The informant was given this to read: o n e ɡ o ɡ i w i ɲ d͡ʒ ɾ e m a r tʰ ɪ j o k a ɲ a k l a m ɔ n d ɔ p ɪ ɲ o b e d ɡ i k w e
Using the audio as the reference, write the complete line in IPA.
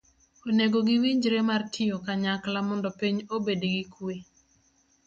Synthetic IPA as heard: o n e ɡ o ɡ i w i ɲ d͡ʒ ɾ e m a r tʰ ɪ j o k a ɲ a k l a m ɔ n d ɔ p i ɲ o b e d ɡ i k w e